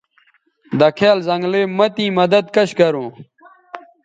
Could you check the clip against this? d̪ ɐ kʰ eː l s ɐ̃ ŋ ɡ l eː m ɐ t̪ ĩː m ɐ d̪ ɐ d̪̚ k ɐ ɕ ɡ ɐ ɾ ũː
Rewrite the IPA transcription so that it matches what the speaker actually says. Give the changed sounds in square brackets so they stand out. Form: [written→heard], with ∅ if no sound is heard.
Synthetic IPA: d̪ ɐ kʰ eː l [s→z] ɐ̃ ŋ ɡ l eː m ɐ t̪ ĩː m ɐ d̪ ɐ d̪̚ k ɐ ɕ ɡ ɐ ɾ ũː